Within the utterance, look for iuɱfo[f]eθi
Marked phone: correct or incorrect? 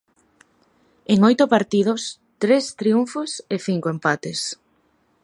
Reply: incorrect